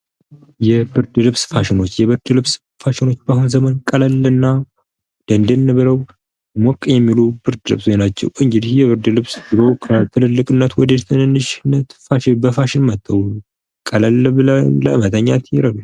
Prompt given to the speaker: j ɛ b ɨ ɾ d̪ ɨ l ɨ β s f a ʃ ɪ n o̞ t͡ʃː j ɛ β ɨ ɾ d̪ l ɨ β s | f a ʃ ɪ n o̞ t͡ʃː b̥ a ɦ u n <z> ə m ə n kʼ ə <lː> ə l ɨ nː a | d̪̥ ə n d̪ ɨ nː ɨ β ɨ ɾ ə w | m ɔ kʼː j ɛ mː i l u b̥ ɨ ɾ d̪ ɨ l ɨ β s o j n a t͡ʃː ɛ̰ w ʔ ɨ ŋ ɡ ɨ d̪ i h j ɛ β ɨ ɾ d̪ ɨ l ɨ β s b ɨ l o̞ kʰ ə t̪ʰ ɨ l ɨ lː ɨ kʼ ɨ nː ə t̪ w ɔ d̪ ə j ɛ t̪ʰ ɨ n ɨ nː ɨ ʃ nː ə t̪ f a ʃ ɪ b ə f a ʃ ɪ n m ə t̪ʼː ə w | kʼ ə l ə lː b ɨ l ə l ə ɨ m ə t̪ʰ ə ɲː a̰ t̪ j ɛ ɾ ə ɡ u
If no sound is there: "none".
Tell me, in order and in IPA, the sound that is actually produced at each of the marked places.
z, l

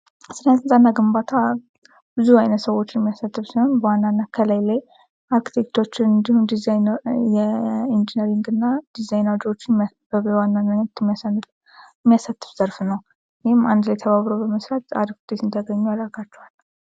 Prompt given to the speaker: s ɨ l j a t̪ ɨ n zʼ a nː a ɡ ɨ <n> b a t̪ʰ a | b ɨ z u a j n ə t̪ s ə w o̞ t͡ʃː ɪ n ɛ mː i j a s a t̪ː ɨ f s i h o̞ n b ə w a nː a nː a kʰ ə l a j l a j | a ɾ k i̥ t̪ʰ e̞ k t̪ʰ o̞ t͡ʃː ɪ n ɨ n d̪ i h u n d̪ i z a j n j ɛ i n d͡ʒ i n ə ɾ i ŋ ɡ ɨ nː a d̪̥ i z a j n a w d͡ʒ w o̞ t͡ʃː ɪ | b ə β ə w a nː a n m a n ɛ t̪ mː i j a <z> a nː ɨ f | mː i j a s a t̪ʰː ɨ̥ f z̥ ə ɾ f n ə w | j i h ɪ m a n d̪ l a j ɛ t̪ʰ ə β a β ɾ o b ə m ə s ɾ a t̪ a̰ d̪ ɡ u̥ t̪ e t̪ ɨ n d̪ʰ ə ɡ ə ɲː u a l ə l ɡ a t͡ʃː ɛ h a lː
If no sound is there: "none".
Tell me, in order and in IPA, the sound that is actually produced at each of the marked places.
m, s

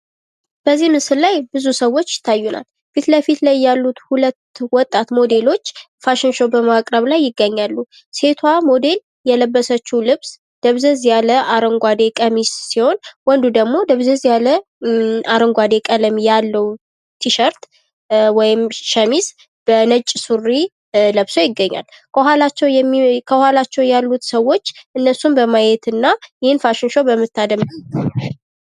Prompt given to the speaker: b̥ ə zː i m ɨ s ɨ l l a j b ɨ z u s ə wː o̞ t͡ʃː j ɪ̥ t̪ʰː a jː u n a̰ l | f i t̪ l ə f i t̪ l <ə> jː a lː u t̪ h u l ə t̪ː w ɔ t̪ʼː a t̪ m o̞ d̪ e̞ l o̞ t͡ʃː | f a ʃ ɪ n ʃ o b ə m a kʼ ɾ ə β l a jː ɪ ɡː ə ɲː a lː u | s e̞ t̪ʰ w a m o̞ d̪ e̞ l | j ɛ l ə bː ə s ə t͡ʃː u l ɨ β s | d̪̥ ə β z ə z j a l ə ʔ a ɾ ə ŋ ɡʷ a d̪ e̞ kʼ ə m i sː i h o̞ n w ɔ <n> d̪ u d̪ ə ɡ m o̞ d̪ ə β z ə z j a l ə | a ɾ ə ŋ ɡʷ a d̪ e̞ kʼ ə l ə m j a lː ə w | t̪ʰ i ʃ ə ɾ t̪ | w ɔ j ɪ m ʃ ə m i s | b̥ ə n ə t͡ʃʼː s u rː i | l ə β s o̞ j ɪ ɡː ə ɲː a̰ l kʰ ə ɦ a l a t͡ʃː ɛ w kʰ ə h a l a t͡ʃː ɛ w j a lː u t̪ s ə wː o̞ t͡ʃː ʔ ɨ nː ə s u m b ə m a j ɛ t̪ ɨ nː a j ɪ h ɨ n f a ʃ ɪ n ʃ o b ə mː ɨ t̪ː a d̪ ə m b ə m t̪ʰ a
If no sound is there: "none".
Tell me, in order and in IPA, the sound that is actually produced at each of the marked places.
a, n

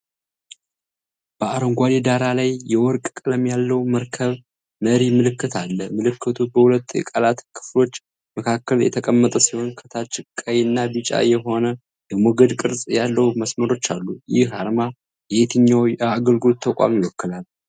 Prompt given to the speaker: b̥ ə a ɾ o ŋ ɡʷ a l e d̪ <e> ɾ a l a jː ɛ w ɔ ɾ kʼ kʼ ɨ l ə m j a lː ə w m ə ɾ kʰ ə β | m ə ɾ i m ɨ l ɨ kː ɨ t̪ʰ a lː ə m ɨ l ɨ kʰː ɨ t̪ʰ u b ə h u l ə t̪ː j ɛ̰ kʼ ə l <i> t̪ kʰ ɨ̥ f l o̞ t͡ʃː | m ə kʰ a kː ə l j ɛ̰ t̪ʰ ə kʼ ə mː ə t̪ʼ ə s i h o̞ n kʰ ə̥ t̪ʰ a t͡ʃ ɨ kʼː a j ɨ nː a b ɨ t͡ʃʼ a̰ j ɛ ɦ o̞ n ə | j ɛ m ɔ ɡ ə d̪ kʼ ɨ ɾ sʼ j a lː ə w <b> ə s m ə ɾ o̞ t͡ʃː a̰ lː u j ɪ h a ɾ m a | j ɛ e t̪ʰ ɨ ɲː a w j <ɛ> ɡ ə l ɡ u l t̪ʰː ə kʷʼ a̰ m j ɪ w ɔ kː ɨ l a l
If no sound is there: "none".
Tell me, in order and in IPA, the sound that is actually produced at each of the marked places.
a, a, m, a

